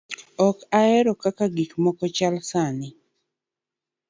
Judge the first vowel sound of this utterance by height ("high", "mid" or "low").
mid